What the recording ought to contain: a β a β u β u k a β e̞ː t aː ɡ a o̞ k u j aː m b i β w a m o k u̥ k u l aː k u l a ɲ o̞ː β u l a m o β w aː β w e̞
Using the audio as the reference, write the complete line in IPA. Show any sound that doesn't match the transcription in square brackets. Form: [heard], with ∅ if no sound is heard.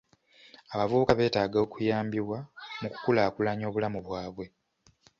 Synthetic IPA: a β a [v] u β u k a β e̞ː t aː ɡ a o̞ k u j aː m b i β w a m [u] k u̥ k u l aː k u l a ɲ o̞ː β u l a m [u] β w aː β w e̞